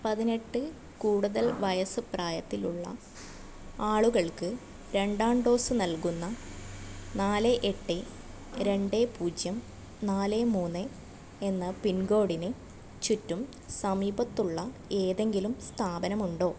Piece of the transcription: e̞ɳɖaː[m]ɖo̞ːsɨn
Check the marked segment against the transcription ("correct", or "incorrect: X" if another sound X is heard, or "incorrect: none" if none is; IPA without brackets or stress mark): incorrect: ɳ